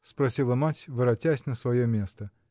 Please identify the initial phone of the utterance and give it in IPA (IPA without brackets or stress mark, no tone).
s